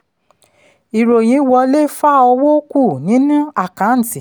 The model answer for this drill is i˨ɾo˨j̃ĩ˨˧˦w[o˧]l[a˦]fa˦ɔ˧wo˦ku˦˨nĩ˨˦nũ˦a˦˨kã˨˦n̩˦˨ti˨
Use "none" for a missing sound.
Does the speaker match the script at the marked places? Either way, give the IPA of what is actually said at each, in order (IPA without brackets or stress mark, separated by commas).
ɔ˧, e˦